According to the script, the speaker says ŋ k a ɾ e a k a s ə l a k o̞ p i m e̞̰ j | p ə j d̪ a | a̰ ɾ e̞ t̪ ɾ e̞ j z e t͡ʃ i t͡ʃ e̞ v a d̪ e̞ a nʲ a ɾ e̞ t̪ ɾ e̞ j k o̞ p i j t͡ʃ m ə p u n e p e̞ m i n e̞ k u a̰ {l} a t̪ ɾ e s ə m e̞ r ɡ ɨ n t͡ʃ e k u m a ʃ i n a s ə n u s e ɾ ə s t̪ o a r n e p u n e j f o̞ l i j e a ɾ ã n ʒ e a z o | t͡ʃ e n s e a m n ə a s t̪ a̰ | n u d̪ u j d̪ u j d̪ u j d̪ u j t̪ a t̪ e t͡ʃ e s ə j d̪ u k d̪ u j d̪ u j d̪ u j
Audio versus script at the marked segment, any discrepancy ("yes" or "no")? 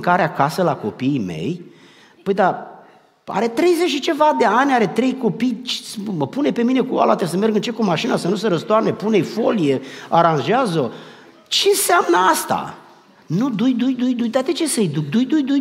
no